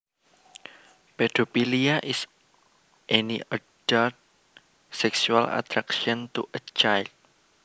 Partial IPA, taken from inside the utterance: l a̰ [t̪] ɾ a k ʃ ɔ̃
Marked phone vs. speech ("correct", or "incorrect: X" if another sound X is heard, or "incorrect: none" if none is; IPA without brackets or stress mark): correct